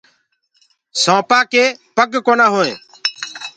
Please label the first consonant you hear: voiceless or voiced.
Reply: voiceless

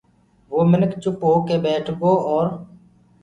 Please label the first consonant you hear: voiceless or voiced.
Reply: voiced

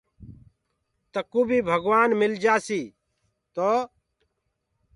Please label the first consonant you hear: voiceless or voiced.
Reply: voiceless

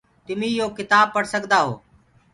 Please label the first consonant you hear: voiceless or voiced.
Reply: voiceless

